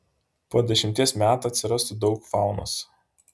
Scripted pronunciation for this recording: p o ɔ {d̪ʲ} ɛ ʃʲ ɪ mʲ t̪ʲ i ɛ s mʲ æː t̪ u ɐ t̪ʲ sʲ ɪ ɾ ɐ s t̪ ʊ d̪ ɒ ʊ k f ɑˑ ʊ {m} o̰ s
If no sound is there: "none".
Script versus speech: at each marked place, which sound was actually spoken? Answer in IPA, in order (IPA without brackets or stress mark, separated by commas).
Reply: d̪ʲ, n